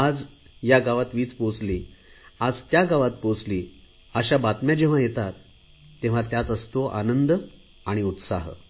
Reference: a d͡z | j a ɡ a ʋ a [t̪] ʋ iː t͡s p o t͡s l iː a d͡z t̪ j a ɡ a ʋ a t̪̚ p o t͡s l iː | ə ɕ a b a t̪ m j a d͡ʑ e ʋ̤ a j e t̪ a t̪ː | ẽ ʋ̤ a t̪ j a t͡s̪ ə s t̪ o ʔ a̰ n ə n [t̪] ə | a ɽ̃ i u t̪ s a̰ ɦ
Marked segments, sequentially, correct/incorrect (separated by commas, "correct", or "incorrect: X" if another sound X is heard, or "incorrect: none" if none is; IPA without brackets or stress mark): correct, incorrect: d̪